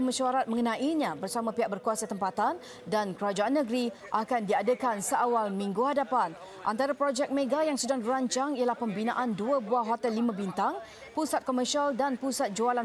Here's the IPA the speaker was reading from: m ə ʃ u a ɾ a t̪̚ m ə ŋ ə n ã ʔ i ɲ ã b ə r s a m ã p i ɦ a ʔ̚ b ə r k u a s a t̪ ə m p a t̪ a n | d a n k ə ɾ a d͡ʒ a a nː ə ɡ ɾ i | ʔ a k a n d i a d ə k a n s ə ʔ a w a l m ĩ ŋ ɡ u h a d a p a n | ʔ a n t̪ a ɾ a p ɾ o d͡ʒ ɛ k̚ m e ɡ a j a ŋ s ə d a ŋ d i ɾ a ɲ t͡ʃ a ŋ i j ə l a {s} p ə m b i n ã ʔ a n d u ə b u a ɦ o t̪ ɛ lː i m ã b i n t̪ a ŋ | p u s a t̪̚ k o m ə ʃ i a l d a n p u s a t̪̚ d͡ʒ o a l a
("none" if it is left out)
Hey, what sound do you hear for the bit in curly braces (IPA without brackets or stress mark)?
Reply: h